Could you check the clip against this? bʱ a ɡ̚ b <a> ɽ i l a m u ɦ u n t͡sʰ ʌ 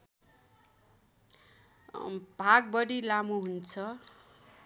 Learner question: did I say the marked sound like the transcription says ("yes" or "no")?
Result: no